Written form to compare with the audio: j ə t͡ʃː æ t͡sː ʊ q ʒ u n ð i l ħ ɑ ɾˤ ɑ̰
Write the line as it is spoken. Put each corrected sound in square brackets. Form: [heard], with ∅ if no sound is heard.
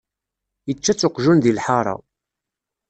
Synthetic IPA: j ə t͡ʃː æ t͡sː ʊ q ʒ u n ð i l ħ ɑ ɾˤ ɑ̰